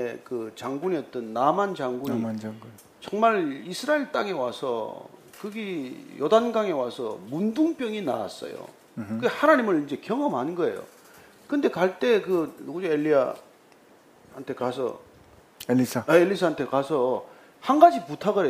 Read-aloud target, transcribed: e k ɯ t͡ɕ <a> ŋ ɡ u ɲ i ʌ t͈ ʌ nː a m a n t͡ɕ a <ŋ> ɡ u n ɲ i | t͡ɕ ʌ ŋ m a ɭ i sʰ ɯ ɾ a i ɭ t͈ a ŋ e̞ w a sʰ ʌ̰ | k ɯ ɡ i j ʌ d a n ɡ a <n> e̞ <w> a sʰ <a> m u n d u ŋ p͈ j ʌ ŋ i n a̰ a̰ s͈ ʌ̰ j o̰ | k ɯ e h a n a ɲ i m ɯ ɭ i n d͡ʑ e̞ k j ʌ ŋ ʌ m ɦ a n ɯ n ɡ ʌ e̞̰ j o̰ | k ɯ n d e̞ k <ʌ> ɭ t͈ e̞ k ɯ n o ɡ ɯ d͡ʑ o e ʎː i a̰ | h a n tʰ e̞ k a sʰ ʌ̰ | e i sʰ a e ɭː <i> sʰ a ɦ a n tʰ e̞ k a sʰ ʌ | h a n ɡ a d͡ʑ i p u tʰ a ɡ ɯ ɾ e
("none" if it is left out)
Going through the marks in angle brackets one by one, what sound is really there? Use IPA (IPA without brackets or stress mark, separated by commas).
a, ŋ, ŋ, w, ʌ, a, i